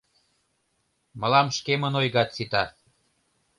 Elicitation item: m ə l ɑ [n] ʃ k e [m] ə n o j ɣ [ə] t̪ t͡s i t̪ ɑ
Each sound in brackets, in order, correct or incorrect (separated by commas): incorrect, correct, incorrect